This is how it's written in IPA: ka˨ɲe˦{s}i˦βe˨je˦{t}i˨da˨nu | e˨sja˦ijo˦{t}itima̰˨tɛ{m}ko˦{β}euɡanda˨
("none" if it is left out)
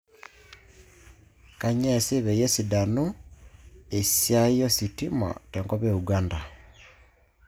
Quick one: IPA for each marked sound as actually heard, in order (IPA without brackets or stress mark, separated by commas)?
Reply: s, s, s, ŋ, β